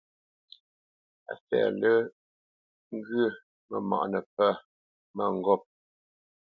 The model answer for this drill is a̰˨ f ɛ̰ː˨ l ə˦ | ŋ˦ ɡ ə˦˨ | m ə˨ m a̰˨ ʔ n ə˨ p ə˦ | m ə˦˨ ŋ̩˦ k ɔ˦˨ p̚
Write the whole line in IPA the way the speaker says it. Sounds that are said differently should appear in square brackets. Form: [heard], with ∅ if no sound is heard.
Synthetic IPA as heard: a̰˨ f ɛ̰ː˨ l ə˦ | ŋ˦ ɡ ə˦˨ | m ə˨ m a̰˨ ʔ n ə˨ p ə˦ | m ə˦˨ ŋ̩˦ [ɡ] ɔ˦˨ p̚